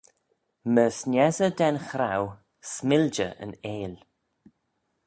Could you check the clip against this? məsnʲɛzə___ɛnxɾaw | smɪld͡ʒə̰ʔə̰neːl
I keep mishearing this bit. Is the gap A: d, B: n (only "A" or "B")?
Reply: A